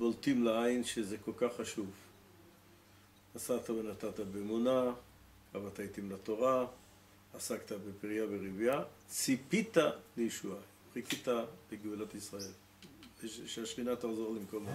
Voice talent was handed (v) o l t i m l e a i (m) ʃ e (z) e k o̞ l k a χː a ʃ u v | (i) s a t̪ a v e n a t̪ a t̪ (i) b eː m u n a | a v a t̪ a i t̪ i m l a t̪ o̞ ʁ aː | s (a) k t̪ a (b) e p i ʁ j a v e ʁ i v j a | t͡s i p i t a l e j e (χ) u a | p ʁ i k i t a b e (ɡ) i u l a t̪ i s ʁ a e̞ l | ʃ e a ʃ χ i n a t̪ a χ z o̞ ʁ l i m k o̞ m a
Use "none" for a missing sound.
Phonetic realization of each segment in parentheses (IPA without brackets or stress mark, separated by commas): b, n, z, a, a, a, b, ʃ, ɡ